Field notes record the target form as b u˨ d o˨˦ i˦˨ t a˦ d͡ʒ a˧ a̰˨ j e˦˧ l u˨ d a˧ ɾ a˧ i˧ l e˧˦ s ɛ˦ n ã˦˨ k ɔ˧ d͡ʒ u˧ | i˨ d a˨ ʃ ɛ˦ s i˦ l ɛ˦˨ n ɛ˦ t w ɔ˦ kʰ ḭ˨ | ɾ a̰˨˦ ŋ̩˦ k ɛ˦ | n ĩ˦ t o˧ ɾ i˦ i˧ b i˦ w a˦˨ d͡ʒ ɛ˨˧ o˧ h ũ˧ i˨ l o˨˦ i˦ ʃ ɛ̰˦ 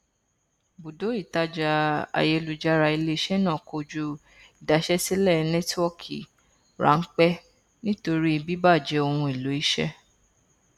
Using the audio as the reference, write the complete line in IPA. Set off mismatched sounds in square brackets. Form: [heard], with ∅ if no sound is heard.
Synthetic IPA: b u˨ d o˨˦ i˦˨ t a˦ d͡ʒ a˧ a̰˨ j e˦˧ l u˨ [d͡ʒ] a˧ ɾ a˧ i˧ l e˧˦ [ʃ] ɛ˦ n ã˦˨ k [o˧] d͡ʒ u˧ | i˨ d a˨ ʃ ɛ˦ s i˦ l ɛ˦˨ n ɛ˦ t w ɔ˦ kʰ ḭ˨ | ɾ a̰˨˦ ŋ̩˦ [k͡p] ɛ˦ | n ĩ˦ t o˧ ɾ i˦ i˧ b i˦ [b] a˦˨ d͡ʒ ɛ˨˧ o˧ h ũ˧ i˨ l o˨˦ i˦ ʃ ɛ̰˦